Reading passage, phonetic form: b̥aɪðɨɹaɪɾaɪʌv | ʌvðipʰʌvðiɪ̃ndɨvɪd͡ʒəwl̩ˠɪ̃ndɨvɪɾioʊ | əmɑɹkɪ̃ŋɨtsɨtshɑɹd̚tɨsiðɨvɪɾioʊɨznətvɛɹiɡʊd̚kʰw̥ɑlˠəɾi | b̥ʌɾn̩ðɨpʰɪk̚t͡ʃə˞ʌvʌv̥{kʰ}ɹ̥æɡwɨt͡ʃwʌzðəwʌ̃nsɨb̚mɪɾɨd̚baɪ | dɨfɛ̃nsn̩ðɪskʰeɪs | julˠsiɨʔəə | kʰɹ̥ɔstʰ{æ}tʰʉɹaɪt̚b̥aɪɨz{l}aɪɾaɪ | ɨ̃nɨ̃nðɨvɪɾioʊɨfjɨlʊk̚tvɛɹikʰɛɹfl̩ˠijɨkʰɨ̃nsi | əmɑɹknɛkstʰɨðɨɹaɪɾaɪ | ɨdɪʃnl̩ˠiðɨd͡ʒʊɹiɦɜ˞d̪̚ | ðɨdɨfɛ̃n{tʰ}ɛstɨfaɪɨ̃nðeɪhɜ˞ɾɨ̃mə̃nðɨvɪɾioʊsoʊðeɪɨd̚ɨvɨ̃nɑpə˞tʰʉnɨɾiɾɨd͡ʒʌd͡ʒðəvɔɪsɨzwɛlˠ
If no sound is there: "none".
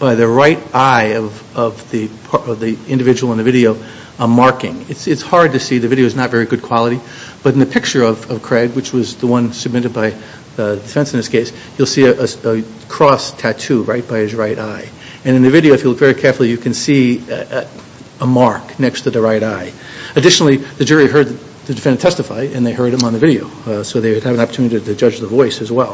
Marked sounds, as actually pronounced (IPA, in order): kʰ, æ, ɹ, tʰ

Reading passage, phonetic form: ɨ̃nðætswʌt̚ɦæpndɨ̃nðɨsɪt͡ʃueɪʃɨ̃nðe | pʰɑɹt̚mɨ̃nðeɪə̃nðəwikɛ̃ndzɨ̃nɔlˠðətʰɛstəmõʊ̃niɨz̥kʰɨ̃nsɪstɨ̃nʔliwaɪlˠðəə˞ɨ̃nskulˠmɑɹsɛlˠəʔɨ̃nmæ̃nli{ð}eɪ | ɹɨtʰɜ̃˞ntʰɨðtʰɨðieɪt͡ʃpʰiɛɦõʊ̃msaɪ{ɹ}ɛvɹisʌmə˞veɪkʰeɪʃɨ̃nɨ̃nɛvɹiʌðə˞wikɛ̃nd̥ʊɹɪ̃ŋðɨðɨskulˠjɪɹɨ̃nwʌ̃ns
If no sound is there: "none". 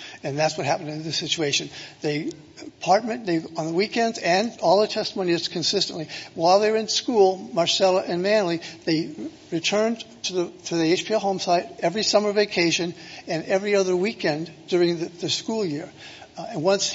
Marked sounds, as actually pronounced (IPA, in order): ð, ɾ

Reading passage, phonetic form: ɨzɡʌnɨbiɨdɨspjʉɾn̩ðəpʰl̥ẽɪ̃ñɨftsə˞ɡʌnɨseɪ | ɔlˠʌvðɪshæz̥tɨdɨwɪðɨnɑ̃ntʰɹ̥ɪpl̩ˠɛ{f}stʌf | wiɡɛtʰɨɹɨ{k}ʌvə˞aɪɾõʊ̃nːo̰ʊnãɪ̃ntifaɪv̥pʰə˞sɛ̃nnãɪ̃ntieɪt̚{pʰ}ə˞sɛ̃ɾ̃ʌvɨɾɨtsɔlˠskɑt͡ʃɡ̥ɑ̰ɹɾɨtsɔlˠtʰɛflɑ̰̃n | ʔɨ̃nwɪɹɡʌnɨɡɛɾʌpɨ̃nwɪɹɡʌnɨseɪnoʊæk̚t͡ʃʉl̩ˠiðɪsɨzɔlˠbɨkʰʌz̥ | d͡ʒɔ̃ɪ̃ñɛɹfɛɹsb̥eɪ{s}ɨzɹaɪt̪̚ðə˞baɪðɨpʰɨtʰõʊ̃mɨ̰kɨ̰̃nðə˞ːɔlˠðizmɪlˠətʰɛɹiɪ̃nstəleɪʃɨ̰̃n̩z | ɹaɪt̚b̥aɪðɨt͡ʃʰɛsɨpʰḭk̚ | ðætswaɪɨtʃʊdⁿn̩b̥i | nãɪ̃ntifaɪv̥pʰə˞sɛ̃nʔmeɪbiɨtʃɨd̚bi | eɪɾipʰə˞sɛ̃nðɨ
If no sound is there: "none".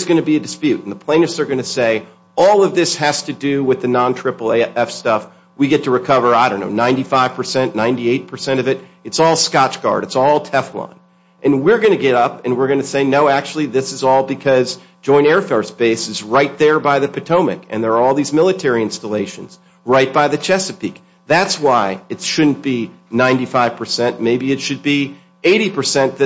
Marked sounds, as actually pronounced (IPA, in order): f, kʰ, pʰ, s

